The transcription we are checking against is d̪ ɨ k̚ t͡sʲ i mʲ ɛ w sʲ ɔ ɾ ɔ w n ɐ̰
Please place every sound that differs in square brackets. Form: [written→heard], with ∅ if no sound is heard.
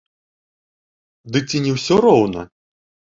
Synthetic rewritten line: d̪ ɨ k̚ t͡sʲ i [mʲ→nʲ] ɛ w sʲ ɔ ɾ ɔ w n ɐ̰